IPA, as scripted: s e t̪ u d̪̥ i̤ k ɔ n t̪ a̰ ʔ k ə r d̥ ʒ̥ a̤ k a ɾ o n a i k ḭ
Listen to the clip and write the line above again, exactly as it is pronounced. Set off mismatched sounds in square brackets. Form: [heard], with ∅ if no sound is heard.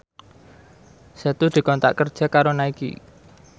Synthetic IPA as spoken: s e t̪ u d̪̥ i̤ k ɔ n t̪ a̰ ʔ k ə r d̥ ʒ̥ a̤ k a ɾ o n a i k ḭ